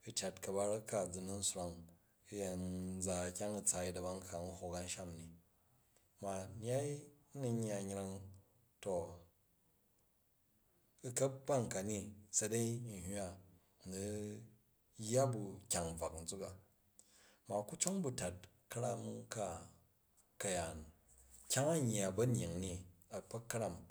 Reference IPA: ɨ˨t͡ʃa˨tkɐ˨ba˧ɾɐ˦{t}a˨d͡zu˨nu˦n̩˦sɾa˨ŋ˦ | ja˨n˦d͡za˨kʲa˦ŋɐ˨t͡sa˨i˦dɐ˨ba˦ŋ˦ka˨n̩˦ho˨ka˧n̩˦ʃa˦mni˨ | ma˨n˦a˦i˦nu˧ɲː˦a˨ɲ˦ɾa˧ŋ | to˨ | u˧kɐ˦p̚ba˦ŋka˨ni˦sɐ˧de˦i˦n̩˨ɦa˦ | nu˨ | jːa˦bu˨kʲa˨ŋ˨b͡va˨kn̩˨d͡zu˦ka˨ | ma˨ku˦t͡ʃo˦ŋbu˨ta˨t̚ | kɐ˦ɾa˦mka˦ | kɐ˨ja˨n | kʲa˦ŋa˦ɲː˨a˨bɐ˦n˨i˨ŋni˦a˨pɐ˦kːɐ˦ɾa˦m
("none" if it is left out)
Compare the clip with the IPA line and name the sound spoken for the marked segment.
k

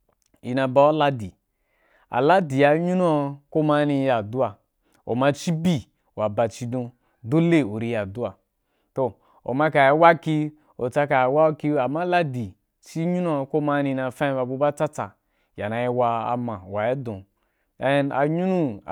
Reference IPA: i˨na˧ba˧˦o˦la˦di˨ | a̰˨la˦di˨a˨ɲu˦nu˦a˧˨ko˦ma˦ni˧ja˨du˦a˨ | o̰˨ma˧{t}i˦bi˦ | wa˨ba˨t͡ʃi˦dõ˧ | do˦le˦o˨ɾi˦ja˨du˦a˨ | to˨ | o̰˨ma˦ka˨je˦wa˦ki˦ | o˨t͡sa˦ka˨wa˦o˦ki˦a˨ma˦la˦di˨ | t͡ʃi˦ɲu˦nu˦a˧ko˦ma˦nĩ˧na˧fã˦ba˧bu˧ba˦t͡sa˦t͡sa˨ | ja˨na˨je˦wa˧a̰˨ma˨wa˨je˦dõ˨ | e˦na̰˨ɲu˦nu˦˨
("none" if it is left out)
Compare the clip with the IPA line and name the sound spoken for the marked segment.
t͡ʃ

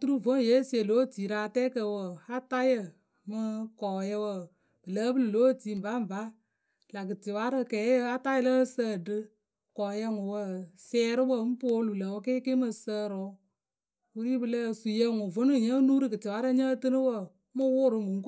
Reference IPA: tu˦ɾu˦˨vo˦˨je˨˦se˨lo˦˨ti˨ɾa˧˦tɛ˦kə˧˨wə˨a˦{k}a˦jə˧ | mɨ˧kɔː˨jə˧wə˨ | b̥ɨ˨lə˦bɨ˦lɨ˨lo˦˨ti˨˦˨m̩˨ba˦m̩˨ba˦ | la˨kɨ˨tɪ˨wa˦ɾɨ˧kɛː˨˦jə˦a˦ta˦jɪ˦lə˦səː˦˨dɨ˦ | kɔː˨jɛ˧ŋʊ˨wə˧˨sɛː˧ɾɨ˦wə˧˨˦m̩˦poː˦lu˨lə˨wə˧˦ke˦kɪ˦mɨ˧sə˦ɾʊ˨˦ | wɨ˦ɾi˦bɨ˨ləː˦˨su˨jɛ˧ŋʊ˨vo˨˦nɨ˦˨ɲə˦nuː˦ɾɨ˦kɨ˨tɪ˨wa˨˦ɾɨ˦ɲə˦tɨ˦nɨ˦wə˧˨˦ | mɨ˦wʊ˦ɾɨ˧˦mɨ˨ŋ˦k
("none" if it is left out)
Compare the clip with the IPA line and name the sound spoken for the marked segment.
t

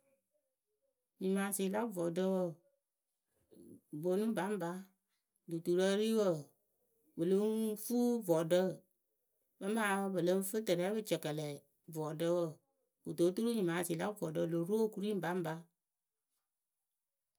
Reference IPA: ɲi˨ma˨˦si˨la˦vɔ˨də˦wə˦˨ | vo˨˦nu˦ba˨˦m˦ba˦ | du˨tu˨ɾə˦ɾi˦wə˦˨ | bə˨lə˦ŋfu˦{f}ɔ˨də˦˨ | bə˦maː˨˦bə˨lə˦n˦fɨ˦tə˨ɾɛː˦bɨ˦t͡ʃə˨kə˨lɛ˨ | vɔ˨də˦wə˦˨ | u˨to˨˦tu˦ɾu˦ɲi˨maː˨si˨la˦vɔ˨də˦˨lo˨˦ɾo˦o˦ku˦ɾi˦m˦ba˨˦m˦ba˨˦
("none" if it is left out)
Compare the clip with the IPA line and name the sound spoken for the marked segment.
v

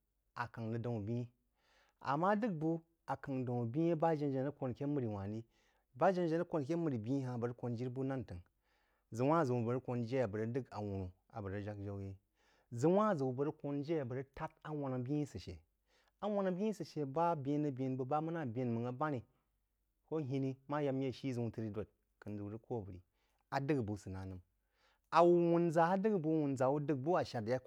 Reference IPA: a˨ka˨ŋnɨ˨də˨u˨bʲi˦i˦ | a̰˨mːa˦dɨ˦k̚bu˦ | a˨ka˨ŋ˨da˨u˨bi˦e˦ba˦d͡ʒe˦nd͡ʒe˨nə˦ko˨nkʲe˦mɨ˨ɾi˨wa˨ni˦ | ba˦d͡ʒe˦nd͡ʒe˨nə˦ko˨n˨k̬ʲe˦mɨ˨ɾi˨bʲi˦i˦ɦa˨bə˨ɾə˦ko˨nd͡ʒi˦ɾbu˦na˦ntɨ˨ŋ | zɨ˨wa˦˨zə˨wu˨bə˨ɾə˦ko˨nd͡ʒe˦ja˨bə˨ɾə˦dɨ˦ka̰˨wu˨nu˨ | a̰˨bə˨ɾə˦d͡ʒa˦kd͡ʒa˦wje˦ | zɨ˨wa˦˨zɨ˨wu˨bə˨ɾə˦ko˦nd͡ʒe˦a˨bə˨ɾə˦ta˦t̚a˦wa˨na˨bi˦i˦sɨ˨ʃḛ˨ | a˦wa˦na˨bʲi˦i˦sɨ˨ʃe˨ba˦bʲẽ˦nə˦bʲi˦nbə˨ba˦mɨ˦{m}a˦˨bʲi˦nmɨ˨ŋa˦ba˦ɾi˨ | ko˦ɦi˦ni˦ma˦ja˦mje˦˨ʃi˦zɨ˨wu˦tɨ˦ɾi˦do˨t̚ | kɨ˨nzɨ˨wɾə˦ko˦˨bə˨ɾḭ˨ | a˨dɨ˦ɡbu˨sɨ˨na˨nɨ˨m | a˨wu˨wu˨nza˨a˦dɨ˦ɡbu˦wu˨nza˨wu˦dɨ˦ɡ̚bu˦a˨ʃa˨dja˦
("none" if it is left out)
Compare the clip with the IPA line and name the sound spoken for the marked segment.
n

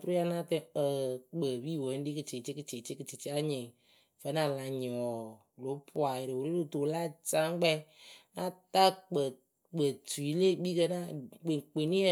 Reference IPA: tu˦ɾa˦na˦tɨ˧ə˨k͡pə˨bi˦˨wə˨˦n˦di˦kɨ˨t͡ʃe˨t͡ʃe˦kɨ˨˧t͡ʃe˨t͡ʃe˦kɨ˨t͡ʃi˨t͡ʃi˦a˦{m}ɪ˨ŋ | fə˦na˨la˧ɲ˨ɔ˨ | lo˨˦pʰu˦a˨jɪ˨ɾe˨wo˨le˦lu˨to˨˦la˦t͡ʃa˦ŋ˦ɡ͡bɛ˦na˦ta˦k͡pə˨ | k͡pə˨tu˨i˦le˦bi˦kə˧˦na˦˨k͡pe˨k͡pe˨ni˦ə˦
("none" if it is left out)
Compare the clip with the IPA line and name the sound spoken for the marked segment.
ɲ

